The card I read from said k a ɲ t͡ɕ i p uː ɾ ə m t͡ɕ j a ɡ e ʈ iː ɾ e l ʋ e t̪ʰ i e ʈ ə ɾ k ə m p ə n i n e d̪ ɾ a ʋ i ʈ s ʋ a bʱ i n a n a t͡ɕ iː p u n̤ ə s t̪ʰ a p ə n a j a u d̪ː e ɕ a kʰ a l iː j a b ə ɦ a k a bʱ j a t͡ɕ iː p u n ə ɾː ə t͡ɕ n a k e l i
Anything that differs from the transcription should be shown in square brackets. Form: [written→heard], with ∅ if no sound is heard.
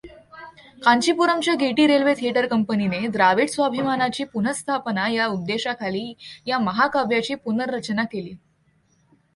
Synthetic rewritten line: k a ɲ t͡ɕ i p [uː→u] ɾ ə m t͡ɕ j a ɡ e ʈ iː ɾ e l ʋ e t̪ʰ i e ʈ ə ɾ k ə m p ə n i n e d̪ ɾ a ʋ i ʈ s ʋ a bʱ i [n→m] a n a t͡ɕ iː p u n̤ ə s t̪ʰ a p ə n a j a u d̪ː e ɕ a kʰ a l iː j a [b→m] ə ɦ a k a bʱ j a t͡ɕ iː p u n ə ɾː ə t͡ɕ n a k e l [i→iː]